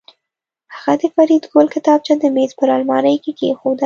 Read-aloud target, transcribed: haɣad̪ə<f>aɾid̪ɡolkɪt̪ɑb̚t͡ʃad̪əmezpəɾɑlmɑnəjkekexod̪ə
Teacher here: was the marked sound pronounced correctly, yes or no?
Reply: yes